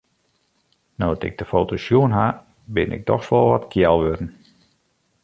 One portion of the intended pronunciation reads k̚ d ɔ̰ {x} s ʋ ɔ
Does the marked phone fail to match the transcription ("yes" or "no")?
no